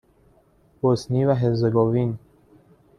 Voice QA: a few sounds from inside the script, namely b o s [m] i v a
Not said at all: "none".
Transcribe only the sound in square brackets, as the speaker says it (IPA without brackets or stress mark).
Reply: n